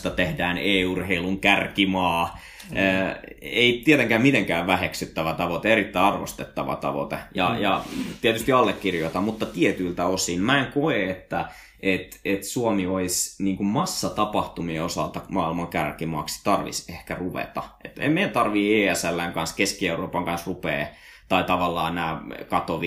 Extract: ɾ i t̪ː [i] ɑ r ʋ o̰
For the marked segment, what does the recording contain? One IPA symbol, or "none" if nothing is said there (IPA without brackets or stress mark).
æ